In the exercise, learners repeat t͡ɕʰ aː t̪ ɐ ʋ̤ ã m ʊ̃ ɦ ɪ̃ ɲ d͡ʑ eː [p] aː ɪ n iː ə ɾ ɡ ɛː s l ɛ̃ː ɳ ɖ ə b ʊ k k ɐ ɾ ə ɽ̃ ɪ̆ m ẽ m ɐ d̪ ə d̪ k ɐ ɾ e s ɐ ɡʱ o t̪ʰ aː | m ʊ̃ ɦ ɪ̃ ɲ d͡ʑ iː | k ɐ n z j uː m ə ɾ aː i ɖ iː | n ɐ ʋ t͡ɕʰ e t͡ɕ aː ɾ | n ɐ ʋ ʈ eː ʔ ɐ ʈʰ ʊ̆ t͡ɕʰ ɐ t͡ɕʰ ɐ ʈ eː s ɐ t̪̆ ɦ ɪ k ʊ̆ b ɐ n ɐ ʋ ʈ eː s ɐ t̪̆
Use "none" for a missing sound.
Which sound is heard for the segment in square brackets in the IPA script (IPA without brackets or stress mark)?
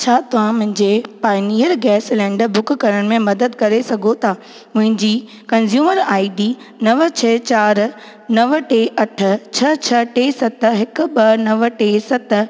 p